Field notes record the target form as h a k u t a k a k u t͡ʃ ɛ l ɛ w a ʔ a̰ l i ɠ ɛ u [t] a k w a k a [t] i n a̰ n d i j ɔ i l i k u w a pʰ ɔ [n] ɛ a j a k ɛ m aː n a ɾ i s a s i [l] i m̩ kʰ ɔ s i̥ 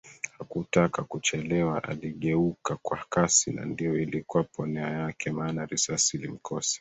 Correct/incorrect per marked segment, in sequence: incorrect, incorrect, correct, correct

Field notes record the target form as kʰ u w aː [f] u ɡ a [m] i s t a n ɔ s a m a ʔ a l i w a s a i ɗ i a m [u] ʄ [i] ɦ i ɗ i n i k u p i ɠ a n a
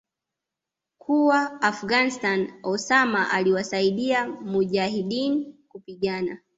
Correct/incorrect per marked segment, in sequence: correct, incorrect, correct, incorrect

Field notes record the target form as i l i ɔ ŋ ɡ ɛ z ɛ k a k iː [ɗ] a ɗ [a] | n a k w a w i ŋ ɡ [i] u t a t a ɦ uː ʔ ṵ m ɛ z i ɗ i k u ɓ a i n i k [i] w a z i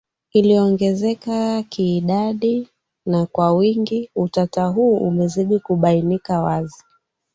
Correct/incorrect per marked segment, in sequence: correct, incorrect, correct, incorrect

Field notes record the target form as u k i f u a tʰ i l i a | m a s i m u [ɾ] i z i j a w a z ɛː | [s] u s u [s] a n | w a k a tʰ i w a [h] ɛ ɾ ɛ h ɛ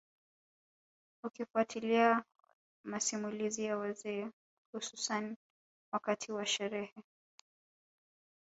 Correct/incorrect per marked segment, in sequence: incorrect, incorrect, correct, incorrect

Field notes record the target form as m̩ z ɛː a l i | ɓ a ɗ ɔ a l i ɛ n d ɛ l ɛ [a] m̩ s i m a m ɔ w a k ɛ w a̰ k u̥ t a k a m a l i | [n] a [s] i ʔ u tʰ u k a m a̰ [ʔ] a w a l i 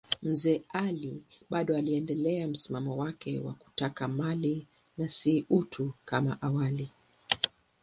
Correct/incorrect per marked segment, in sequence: correct, correct, correct, correct

